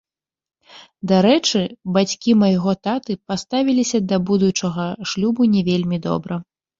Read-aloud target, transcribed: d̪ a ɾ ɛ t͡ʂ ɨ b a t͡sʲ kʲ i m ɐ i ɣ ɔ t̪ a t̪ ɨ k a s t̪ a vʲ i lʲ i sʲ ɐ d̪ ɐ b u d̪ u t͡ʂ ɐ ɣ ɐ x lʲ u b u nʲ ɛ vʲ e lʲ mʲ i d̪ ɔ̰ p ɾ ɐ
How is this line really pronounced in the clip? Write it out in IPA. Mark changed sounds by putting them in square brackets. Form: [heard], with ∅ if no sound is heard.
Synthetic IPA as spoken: d̪ a ɾ ɛ t͡ʂ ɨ b a t͡sʲ kʲ i m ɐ [j] ɣ ɔ t̪ a t̪ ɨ [p] a s t̪ a vʲ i lʲ i sʲ ɐ d̪ ɐ b u d̪ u t͡ʂ ɐ ɣ ɐ [ʂ] lʲ u b u nʲ ɛ vʲ e lʲ mʲ i d̪ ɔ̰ [b] ɾ ɐ